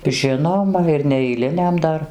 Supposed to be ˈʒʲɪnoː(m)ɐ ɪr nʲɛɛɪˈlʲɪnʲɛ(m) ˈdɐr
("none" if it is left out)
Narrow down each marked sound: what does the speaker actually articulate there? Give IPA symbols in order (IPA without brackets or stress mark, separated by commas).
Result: m, m